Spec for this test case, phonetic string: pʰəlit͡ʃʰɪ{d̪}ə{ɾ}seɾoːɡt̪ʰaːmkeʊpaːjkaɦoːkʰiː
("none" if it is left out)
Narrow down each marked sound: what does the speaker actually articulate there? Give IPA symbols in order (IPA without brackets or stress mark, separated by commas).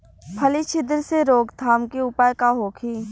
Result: d̪, ɾ